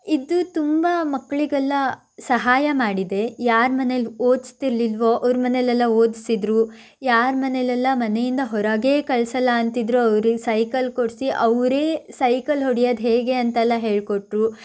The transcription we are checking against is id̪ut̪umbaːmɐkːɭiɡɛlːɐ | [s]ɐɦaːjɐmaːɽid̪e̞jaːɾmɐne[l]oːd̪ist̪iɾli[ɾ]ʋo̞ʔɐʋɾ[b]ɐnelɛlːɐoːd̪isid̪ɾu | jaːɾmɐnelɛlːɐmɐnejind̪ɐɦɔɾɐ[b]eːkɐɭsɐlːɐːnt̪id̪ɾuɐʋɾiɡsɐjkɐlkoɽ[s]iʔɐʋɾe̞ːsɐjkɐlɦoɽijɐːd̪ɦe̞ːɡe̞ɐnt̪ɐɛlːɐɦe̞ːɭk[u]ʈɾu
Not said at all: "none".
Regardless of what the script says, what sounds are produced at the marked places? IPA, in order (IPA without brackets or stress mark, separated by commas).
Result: s, l, l, m, ɡ, s, o